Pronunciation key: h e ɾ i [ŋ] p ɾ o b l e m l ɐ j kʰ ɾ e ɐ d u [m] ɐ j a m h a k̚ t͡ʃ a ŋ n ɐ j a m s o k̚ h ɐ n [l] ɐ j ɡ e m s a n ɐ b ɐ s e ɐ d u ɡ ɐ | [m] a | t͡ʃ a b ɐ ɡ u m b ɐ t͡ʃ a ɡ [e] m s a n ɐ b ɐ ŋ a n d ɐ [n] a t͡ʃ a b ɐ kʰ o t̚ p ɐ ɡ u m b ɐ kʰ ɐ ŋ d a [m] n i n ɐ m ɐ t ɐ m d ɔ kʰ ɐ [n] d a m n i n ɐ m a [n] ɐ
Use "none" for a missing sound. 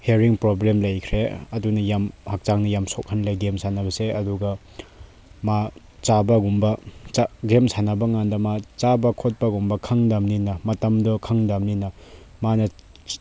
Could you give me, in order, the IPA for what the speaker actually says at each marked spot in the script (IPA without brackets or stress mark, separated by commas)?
ŋ, n, l, m, e, m, m, ŋ, n